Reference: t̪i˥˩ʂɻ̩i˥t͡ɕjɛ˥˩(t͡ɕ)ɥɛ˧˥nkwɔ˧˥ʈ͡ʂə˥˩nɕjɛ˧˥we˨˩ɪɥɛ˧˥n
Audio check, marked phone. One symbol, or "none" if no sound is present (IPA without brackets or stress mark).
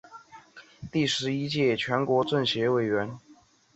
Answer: t͡ɕʰ